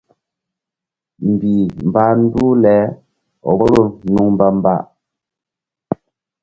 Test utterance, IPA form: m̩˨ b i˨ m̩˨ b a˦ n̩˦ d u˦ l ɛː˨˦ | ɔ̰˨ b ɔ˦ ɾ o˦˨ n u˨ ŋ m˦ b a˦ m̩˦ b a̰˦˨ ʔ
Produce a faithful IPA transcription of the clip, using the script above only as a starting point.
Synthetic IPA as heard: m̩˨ b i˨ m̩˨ b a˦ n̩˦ d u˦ l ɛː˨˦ | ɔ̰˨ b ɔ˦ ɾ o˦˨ n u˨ ŋ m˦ b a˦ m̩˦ b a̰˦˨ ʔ